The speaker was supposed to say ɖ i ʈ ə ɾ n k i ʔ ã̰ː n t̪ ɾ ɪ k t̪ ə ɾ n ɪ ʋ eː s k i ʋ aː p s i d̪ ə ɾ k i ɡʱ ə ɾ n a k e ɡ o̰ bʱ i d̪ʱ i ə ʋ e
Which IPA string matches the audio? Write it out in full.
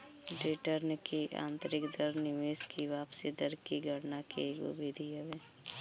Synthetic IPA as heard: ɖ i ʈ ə ɾ n k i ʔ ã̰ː n t̪ ɾ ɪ k d̪ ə ɾ n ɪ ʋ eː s k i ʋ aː p s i d̪ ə ɾ k i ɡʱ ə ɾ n a k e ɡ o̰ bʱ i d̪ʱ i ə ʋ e